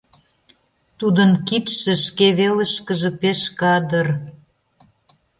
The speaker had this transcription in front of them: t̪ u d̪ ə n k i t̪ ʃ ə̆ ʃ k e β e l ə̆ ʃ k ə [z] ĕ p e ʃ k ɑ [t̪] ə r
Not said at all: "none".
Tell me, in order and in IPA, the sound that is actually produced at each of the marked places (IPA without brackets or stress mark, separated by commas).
ʒ, d̪